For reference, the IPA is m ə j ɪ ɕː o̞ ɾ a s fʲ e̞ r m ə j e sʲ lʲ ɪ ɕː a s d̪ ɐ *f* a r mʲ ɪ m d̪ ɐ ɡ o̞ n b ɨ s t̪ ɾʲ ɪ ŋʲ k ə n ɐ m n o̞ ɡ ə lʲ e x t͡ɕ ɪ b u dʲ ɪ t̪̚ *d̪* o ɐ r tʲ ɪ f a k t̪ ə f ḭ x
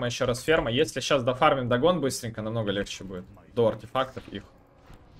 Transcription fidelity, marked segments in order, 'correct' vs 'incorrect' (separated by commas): correct, correct